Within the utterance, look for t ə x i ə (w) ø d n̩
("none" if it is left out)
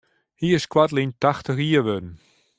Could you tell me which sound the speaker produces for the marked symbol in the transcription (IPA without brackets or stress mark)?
ʋ